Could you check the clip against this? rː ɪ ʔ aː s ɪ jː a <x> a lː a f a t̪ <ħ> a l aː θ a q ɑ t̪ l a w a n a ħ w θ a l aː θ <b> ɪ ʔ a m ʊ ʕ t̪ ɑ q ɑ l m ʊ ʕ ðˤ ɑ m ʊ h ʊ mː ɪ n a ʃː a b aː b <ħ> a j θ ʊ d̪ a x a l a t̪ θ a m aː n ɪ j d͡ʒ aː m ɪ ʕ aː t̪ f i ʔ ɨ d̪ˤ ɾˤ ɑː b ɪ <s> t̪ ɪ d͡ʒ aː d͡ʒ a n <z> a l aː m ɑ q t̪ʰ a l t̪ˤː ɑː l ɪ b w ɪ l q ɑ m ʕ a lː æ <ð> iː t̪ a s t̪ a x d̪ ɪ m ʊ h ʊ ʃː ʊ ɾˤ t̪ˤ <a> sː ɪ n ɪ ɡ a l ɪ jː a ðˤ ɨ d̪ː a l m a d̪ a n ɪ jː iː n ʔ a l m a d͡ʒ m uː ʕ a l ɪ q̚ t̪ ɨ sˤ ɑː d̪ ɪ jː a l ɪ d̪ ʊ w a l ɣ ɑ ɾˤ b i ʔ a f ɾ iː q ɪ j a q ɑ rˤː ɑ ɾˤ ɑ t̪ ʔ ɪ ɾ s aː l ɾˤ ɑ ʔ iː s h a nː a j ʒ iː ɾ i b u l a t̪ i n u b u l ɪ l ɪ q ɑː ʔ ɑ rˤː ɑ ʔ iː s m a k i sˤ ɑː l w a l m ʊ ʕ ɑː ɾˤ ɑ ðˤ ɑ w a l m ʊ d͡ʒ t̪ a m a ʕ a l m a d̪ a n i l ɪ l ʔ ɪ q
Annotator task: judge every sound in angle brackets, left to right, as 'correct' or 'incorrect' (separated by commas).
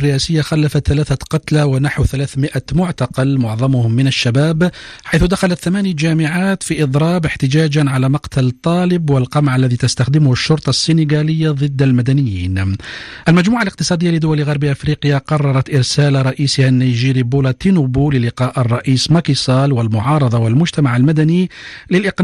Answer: correct, incorrect, incorrect, correct, incorrect, incorrect, correct, incorrect